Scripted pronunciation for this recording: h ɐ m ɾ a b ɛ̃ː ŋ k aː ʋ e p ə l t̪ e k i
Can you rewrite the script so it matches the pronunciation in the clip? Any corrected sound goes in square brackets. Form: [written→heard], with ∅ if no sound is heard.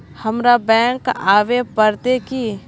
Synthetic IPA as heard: h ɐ m ɾ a b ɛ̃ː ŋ k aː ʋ e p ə [l→ɾ] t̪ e k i